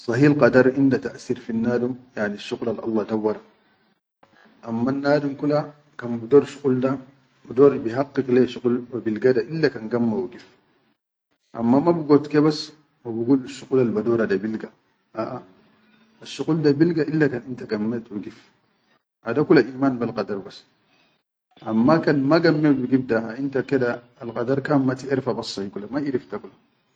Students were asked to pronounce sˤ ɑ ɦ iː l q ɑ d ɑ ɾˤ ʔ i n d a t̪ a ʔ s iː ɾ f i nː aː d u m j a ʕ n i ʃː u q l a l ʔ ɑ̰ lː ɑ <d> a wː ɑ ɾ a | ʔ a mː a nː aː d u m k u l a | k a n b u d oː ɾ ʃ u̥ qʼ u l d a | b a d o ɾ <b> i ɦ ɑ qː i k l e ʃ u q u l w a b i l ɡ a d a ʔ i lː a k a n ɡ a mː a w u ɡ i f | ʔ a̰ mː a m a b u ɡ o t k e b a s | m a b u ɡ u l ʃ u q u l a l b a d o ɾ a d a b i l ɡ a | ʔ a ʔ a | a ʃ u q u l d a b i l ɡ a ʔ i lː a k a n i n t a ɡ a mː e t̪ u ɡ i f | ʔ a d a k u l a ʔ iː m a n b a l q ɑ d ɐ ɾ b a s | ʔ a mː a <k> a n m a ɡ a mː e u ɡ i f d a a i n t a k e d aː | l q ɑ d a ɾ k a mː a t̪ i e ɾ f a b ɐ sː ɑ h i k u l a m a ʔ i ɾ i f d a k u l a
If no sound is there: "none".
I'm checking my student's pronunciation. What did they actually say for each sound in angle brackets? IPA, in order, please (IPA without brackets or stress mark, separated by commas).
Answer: d, b, k